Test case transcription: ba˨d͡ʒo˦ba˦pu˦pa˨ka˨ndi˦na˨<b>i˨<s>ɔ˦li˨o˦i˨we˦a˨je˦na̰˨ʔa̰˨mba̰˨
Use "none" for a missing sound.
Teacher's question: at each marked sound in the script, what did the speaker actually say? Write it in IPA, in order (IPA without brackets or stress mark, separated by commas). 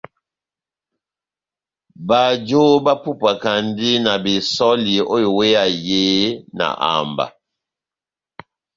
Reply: b, s